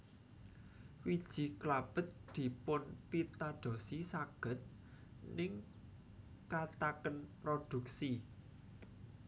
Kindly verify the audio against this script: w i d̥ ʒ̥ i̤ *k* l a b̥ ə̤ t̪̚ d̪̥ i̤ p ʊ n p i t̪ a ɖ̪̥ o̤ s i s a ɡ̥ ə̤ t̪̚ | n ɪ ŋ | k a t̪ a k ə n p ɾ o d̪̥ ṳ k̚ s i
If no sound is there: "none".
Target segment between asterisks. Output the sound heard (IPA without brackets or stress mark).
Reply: k